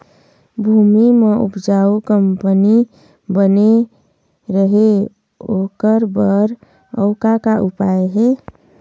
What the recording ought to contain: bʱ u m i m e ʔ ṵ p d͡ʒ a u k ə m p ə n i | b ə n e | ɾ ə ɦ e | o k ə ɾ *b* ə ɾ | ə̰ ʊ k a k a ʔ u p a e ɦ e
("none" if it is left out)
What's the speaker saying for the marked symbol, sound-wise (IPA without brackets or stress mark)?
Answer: b